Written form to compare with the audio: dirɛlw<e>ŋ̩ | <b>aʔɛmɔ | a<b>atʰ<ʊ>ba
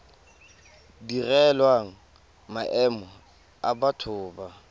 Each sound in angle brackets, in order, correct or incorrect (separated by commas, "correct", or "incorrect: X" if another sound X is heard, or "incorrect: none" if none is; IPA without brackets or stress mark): incorrect: a, incorrect: m, correct, incorrect: ʊː